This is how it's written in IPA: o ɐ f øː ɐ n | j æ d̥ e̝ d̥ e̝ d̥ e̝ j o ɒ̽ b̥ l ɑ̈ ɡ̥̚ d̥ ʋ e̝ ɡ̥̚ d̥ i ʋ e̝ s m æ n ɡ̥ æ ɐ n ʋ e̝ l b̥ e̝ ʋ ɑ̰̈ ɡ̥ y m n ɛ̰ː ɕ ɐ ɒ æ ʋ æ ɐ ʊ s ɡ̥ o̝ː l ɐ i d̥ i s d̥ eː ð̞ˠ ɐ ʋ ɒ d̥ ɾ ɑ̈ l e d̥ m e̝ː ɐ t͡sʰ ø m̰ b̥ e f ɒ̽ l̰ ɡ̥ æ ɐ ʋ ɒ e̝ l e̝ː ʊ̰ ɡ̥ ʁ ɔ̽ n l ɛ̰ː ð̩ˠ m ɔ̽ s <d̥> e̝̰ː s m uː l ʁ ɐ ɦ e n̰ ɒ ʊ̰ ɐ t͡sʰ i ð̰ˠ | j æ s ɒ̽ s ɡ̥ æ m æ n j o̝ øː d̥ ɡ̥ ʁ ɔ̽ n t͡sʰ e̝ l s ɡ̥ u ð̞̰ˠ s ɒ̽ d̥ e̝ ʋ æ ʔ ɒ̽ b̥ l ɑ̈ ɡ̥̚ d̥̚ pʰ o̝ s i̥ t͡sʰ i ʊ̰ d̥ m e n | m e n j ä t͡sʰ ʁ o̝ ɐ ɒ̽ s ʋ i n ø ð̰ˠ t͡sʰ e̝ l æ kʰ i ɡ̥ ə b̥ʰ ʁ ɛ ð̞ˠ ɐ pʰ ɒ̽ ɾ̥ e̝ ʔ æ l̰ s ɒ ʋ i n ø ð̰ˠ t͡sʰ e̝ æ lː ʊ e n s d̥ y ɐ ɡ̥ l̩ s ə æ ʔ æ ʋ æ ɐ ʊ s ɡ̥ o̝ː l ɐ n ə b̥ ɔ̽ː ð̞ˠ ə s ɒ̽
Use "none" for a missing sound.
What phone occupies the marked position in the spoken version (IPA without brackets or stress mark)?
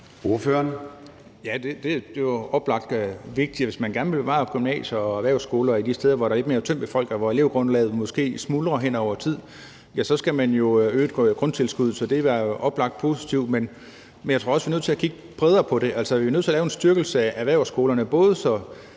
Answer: ɡ̥